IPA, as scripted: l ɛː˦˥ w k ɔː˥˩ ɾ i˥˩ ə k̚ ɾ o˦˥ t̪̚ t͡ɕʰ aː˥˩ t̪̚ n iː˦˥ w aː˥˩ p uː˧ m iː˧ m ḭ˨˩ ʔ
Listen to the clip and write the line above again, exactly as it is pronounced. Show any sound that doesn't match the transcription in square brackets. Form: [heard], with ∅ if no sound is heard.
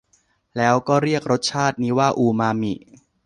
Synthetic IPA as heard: l ɛː˦˥ w k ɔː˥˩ ɾ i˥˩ ə k̚ ɾ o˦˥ t̪̚ t͡ɕʰ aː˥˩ t̪̚ n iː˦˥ w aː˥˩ [ʔ] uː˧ m [aː˧] m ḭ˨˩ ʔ